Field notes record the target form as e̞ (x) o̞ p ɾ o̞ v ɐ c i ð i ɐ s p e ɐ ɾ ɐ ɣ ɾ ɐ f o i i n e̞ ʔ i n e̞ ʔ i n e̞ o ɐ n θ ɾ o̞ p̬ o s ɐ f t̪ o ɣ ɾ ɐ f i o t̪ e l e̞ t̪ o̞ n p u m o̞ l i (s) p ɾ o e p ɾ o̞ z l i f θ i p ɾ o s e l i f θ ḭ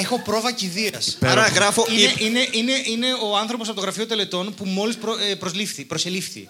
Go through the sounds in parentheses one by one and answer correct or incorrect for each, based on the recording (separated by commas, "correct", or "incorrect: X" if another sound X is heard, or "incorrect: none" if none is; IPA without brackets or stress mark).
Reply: correct, correct